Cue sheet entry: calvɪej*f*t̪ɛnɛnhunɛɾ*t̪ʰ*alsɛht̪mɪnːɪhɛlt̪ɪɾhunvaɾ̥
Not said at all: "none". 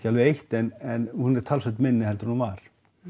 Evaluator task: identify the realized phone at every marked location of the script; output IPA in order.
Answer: h, t̪ʰ

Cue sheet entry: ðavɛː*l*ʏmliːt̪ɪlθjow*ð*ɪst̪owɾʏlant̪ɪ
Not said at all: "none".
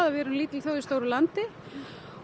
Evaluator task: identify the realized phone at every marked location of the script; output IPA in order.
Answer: ɾ, ð

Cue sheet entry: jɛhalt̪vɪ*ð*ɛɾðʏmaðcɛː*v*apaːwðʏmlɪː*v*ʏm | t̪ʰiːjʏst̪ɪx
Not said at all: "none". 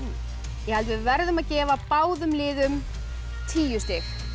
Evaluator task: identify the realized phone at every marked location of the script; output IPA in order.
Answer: v, v, ð

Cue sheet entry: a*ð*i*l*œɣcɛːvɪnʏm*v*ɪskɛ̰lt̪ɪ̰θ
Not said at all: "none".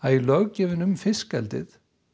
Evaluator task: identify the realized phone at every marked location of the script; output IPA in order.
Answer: ð, l, f

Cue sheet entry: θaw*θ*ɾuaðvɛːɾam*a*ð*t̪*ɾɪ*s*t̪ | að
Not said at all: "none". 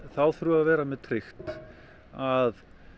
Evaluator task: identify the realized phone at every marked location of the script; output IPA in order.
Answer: θ, ɛ, t̪ʰ, x

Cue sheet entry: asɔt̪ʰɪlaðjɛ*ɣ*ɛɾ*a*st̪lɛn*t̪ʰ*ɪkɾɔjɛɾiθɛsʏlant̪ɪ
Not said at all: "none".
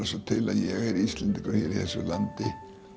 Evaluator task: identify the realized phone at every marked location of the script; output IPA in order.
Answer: ɣ, i, t̪

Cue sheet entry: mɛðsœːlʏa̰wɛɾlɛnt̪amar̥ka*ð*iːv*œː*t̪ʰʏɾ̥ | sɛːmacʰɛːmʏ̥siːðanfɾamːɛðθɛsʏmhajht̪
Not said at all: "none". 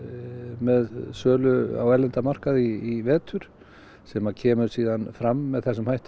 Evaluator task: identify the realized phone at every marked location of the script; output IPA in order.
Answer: ð, ɛː

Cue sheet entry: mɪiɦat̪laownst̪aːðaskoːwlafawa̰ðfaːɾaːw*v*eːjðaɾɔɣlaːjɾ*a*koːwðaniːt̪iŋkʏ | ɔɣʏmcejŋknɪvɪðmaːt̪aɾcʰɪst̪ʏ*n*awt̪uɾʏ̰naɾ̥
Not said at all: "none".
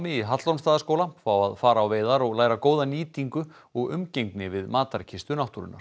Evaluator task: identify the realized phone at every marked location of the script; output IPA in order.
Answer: v, a, n

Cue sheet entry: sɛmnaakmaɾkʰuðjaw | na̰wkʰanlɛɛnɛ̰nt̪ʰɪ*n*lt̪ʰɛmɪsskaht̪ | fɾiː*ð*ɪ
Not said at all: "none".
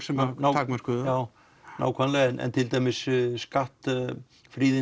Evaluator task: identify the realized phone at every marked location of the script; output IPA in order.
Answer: none, ð

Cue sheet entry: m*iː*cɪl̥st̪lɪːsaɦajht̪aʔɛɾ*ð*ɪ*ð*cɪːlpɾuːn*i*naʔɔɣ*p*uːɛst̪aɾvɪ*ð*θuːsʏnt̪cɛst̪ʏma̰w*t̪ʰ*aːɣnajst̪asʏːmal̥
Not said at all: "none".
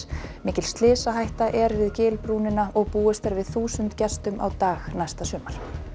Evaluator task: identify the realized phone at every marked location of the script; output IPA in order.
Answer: ɪː, v, ð, ɪ, p, ð, t̪

